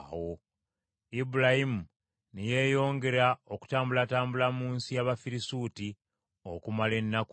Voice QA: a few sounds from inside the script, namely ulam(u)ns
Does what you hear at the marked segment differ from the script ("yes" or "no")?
yes